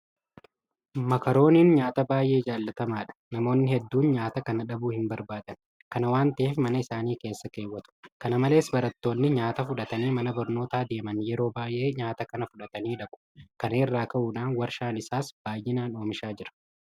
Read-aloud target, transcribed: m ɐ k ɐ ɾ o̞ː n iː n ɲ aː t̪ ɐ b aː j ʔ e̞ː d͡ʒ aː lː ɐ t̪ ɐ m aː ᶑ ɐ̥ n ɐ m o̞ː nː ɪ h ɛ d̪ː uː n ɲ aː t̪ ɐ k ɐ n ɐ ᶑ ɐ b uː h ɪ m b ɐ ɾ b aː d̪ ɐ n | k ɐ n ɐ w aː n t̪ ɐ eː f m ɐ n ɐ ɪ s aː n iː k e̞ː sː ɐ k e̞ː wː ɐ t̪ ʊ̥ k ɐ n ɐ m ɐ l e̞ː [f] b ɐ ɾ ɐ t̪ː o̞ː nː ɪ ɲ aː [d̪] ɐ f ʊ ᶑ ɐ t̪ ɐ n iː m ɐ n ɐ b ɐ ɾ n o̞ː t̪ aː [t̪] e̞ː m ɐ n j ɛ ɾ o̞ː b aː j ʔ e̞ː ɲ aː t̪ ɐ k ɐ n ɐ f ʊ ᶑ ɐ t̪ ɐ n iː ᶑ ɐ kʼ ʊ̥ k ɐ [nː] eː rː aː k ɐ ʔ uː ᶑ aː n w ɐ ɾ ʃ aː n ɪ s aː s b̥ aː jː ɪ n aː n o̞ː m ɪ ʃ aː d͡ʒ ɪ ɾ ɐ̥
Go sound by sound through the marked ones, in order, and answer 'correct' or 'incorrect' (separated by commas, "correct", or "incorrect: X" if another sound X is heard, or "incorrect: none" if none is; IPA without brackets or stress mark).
incorrect: s, incorrect: t̪, incorrect: d̪, incorrect: n